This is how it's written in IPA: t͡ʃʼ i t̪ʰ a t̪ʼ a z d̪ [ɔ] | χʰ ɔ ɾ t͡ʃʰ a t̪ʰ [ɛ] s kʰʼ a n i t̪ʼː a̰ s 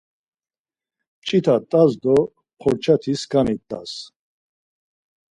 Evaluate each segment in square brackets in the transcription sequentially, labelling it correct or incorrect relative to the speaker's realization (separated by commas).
correct, incorrect